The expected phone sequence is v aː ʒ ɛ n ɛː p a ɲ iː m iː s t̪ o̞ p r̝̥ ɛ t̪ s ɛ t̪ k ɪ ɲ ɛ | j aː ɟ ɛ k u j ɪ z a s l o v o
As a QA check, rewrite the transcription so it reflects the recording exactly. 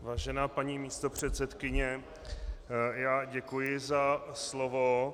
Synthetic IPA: v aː ʒ ɛ n aː p a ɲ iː m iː s t̪ o̞ p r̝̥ ɛ t̪ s ɛ t̪ k ɪ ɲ ɛ | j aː ɟ ɛ k u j ɪ z a s l o v o